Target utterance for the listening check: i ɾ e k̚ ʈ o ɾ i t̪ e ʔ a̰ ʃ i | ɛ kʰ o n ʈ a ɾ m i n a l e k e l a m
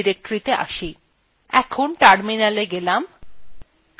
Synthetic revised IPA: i ɾ e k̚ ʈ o ɾ i t̪ e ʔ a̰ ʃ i | ɛ kʰ o n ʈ a ɾ m i n a l e ɡ e l a m